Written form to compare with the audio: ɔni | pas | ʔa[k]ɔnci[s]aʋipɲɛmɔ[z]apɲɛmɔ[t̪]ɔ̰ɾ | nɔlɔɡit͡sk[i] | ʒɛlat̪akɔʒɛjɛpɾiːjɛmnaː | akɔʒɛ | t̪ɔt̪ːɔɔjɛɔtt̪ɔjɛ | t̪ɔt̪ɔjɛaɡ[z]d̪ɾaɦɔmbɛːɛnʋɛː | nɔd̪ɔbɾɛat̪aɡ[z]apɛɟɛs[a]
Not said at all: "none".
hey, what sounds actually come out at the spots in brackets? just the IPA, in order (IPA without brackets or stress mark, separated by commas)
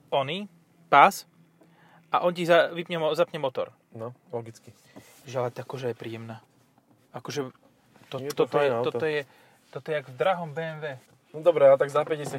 ʔ, z, z, t̪, i, v, z, a